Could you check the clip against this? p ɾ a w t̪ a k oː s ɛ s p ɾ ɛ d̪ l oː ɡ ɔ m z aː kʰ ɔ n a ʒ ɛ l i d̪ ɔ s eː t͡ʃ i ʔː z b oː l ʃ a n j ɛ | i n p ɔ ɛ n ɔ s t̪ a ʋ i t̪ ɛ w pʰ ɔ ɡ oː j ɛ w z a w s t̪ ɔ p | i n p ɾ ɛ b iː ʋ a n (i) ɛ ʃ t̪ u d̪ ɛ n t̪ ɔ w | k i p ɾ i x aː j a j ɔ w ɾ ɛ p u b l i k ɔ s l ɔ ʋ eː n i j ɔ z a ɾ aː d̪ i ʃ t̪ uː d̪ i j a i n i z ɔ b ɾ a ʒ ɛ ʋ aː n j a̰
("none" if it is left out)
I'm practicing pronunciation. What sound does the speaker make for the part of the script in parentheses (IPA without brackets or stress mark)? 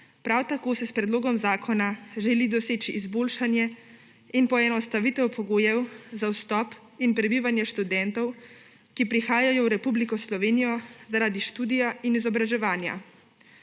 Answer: j